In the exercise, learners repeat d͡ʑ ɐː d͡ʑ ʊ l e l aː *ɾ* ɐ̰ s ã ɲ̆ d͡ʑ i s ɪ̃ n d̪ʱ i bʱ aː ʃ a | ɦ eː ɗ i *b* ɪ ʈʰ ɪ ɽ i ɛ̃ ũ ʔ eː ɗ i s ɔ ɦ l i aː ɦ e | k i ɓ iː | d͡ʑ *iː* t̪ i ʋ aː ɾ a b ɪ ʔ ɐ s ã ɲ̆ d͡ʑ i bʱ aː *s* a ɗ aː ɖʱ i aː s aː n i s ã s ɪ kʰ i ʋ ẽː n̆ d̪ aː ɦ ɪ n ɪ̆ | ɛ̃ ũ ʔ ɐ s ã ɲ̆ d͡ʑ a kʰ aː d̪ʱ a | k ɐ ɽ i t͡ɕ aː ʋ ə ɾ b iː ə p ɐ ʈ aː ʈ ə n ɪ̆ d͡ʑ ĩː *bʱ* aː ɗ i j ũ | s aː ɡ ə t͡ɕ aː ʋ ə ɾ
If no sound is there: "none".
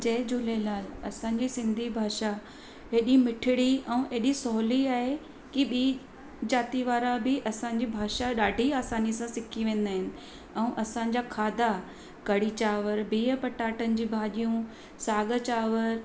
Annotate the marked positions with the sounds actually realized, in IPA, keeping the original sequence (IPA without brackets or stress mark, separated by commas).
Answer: l, m, aː, ʃ, bʱ